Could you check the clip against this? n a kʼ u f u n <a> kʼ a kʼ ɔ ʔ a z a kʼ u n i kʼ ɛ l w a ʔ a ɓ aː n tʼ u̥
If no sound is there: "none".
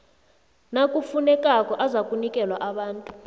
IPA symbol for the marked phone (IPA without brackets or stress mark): ɛ